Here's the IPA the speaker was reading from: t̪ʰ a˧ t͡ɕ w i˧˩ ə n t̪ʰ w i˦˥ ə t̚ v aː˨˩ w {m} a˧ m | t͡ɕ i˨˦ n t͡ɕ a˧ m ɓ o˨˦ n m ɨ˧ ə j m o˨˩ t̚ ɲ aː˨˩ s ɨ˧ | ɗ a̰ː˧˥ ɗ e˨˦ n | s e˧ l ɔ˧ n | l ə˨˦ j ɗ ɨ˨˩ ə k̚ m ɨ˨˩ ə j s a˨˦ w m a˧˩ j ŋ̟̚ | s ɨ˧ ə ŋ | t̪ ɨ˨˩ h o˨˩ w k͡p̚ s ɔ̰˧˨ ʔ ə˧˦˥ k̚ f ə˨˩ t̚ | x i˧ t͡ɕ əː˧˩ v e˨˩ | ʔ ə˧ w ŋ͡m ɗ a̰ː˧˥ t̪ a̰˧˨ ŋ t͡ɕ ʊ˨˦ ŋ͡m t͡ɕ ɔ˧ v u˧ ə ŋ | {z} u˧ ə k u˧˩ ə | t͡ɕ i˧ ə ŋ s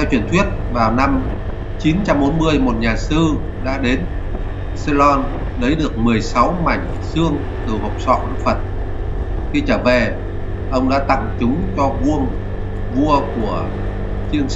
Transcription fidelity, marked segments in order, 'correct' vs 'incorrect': incorrect: n, incorrect: v

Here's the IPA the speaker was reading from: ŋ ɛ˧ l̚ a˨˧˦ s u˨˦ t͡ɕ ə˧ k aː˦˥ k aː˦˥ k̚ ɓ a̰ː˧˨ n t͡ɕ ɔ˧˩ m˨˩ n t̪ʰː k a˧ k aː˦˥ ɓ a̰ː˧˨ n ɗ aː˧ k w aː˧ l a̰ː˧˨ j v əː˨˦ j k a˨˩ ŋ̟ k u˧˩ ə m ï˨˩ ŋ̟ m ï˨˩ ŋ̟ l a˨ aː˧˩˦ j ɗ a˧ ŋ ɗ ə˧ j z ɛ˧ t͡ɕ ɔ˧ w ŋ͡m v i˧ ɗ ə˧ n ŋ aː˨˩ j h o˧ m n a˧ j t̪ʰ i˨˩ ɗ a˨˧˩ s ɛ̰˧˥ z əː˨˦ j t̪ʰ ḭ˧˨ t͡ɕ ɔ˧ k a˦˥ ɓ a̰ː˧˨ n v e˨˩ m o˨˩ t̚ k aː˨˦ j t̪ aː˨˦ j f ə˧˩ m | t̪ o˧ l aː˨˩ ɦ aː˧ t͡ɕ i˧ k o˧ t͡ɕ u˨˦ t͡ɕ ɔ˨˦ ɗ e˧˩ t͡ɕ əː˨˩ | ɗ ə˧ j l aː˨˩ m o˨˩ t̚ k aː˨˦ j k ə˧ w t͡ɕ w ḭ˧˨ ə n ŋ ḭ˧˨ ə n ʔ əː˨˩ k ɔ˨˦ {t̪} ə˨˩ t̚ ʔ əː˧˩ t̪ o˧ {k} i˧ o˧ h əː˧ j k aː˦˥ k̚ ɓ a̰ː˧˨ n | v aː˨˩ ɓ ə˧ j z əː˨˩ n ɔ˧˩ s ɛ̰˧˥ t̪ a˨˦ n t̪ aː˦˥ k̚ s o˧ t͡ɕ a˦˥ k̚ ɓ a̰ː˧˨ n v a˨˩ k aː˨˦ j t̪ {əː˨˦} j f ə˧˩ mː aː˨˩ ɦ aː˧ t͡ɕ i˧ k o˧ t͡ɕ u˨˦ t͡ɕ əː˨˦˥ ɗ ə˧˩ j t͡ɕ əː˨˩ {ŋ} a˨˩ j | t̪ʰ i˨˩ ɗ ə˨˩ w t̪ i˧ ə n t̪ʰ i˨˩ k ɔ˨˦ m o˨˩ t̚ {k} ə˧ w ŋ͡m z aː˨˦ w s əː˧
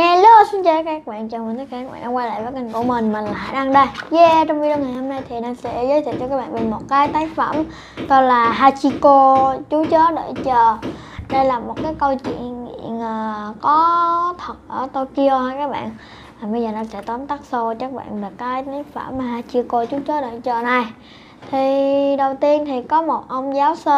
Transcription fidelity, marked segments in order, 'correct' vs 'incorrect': incorrect: t̪ʰ, correct, incorrect: aː˨˦, incorrect: n, incorrect: ʔ

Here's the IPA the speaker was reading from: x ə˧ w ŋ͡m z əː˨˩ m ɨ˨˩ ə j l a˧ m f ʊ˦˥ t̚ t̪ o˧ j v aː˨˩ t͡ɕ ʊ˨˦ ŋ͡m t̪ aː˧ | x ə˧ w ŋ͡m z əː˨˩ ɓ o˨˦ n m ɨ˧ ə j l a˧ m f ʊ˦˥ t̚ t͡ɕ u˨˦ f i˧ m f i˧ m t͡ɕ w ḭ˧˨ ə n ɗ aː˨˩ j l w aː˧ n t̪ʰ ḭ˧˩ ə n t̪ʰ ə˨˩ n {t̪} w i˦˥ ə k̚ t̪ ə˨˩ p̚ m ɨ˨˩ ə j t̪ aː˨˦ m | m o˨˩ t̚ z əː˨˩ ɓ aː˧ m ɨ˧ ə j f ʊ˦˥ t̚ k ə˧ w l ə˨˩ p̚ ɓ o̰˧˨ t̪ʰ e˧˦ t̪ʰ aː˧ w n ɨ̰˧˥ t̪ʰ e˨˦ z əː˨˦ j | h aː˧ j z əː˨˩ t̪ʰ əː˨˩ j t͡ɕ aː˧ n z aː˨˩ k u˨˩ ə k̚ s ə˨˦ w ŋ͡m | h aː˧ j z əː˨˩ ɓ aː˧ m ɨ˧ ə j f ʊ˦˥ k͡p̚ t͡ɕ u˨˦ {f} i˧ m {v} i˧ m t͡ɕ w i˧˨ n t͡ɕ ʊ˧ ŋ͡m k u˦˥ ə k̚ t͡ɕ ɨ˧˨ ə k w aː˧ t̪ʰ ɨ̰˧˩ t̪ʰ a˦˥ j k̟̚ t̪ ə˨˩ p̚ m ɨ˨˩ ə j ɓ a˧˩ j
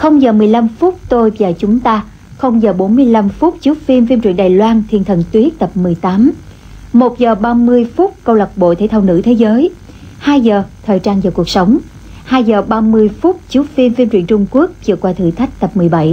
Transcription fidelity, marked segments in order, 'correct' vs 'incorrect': correct, correct, incorrect: f

